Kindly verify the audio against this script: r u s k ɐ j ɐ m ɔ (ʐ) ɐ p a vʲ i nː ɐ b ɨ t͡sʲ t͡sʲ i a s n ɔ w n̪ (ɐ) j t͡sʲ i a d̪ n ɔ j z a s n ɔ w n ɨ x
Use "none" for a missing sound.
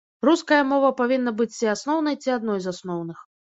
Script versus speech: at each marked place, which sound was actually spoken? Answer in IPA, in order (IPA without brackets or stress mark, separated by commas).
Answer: v, ɐ